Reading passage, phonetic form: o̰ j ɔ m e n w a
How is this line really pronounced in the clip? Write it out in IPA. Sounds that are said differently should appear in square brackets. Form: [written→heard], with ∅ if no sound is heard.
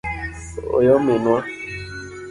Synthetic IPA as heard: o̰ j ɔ m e n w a